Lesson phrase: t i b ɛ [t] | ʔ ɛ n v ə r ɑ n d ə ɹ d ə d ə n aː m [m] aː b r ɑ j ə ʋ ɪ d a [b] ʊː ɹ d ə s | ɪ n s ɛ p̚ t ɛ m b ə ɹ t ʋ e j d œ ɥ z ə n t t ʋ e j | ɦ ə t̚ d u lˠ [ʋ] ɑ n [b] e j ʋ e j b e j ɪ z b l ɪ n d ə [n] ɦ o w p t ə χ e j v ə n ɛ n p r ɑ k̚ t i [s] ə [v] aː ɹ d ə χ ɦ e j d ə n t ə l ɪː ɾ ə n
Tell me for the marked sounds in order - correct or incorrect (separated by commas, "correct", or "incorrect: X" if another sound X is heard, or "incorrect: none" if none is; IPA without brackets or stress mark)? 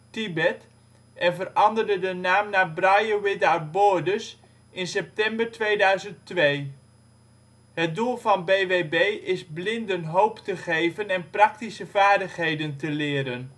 correct, incorrect: n, correct, incorrect: v, correct, correct, correct, correct